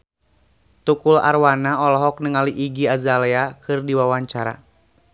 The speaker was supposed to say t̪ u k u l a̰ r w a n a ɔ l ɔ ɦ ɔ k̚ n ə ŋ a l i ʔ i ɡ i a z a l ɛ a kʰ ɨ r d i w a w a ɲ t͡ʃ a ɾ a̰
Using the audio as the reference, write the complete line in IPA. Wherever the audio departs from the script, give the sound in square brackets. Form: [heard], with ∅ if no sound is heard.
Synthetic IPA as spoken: t̪ u k u l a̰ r w a n a ɔ l ɔ ɦ ɔ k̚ n ə ŋ a l i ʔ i ɡ i a z a l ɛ a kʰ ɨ r d i w a w a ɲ t͡ʃ a ɾ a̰